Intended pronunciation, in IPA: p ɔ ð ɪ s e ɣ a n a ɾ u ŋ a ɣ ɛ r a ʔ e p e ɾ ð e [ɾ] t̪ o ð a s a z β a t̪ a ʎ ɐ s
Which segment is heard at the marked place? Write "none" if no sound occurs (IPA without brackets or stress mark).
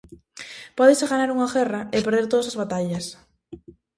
ɾ